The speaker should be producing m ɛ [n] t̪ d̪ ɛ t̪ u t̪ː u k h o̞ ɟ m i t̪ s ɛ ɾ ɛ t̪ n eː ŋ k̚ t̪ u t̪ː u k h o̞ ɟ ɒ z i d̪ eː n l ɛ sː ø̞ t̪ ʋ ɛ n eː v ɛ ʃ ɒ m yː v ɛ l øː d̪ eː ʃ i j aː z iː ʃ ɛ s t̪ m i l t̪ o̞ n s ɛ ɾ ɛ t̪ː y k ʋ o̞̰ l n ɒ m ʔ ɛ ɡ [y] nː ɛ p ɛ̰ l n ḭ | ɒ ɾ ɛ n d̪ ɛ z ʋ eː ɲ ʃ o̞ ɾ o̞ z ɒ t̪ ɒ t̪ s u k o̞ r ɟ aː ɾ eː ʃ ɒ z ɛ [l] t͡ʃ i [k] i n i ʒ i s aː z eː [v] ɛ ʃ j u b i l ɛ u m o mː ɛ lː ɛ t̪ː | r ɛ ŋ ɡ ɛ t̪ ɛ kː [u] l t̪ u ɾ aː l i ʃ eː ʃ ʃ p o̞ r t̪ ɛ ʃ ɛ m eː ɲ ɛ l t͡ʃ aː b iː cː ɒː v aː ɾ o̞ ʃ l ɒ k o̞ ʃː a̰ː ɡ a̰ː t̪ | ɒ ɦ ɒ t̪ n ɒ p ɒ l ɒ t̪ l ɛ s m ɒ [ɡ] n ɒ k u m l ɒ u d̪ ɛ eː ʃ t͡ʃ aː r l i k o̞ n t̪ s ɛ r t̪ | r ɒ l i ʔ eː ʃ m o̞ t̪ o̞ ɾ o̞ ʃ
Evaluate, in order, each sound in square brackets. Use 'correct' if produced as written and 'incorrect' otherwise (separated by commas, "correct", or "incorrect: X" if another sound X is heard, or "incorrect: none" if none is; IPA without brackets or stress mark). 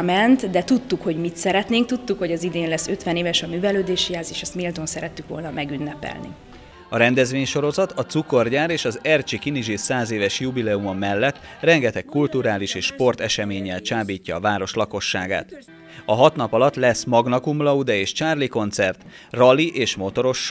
correct, correct, incorrect: r, correct, correct, correct, correct